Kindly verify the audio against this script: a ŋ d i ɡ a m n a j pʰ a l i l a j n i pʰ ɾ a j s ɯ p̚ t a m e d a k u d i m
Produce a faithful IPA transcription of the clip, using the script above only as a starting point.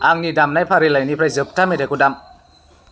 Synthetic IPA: a ŋ n i d a m n a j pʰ a ɾ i l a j n i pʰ ɾ a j z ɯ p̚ t a m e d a k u d a m